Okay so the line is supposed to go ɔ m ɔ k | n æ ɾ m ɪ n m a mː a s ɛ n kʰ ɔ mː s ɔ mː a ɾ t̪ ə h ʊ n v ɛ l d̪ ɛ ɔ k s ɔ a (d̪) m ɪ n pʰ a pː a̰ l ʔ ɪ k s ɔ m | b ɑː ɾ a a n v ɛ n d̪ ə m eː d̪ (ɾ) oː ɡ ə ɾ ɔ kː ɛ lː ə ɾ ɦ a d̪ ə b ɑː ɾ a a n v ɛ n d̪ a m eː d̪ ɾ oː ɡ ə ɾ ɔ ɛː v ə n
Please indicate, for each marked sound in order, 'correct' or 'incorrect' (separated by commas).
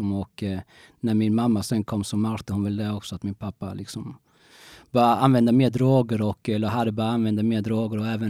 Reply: incorrect, correct